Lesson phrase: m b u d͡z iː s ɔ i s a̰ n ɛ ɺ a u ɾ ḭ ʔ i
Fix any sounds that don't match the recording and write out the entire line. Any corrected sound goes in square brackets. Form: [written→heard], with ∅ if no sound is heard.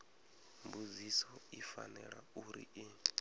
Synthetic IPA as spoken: m b u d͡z [iː→i] s ɔ i [s→f] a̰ n ɛ ɺ a u ɾ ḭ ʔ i